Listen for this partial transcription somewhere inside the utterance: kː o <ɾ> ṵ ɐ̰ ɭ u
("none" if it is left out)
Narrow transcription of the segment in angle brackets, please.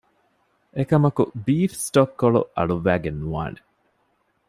ɭ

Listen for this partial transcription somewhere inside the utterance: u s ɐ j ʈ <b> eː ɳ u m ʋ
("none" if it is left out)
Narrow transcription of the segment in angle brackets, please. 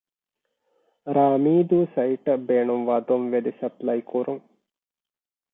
b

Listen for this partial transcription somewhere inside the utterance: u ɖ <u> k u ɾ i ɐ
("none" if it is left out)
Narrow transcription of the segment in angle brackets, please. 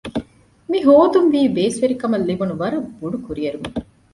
u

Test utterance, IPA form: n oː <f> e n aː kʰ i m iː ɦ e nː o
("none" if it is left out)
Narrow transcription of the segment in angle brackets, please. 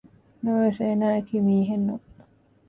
s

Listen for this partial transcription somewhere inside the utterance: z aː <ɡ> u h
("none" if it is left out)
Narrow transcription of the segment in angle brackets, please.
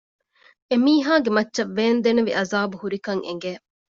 b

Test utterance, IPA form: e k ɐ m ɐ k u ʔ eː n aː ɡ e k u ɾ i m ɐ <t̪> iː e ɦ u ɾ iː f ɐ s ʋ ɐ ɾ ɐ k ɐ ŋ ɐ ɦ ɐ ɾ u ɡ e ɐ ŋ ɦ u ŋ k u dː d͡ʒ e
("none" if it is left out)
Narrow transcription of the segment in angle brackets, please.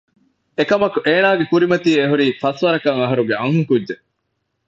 t̪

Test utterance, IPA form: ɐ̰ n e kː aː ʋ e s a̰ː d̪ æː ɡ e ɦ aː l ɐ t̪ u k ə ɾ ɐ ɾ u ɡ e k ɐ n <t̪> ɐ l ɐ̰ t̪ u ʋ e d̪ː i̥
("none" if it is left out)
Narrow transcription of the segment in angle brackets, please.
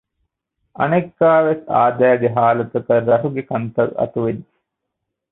t̪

